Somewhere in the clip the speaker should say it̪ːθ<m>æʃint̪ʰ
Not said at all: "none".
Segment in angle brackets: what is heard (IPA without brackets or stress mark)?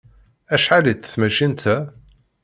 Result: m